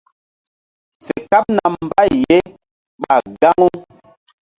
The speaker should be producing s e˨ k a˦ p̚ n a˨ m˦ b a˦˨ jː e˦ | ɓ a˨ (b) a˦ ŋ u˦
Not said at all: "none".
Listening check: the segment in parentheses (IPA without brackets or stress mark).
ɡ